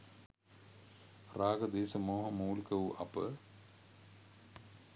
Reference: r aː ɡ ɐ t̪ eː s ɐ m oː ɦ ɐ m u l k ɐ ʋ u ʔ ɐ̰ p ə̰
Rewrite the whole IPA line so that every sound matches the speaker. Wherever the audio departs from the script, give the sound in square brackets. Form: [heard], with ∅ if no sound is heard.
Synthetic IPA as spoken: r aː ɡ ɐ [d̪] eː s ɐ m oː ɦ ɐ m [uː] l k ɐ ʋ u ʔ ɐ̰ p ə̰